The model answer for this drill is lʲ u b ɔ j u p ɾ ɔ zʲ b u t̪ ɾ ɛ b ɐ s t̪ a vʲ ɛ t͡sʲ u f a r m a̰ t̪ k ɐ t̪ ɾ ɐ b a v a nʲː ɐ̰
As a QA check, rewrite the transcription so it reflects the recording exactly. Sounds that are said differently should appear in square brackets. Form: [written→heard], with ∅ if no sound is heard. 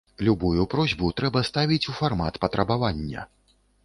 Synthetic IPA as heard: lʲ u b [ɔ→u] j u p ɾ ɔ zʲ b u t̪ ɾ ɛ b ɐ s t̪ a vʲ [ɛ→i] t͡sʲ u f a r m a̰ t̪ [k→p] ɐ t̪ ɾ ɐ b a v a nʲː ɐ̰